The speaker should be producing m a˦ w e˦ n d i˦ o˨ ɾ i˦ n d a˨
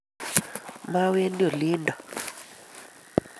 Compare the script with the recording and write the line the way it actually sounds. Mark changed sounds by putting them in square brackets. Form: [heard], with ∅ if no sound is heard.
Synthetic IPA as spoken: m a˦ w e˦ n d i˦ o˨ [l] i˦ n d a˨